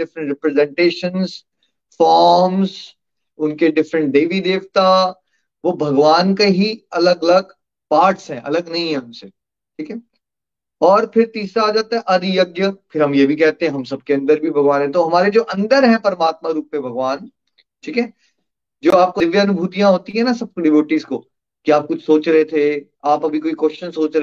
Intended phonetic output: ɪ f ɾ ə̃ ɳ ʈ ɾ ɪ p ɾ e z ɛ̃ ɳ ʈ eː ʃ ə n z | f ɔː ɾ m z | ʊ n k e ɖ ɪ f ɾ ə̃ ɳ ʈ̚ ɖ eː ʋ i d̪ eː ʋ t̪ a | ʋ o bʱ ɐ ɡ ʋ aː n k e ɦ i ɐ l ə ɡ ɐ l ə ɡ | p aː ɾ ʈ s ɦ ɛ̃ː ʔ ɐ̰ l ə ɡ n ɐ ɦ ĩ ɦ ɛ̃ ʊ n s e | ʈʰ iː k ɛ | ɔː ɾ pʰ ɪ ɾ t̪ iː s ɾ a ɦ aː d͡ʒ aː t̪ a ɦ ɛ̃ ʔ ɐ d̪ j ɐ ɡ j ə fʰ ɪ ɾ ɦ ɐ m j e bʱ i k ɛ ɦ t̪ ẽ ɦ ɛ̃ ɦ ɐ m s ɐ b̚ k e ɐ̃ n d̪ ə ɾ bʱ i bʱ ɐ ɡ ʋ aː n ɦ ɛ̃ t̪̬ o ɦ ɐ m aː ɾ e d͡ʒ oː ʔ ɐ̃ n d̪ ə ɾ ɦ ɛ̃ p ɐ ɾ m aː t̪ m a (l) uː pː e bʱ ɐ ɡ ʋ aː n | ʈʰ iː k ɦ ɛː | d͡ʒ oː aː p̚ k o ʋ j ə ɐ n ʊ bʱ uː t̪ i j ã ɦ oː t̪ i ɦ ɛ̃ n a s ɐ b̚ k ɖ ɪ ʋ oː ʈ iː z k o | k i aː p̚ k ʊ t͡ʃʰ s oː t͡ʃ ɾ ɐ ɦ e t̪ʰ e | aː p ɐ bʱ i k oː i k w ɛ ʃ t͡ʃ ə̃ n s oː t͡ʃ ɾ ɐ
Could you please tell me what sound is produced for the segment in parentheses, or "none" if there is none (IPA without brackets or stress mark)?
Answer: ɾ